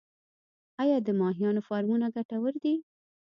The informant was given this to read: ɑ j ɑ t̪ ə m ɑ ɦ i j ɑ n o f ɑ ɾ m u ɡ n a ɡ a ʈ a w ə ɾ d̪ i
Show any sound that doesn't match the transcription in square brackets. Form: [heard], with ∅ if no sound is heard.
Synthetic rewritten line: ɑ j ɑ [d̪] ə m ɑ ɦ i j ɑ n o f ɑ ɾ m u [∅] n a ɡ a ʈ a w ə ɾ d̪ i